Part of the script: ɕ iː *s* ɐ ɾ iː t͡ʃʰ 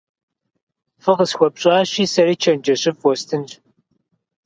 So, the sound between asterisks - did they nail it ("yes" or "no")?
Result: yes